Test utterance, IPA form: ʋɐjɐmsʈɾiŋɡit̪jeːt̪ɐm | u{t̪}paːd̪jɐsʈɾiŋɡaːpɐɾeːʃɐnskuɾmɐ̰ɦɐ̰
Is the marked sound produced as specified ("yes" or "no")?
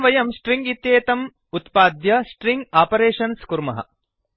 yes